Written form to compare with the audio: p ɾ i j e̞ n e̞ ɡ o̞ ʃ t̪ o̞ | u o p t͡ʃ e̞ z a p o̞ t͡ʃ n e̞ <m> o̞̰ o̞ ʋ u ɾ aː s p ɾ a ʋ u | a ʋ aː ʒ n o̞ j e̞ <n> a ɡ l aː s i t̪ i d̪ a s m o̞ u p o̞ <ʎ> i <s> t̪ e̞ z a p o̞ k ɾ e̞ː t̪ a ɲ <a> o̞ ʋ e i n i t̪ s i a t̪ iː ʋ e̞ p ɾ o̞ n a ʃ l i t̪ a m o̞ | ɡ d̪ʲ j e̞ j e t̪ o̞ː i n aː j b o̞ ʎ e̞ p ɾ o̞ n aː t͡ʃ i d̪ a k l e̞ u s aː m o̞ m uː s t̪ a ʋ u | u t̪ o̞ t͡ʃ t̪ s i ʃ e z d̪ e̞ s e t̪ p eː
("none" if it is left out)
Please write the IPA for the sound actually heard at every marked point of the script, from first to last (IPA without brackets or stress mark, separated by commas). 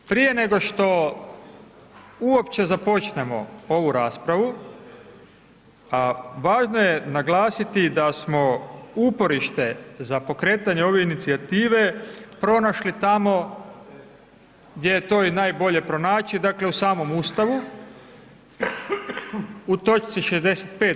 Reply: m, n, ɾ, ʃ, e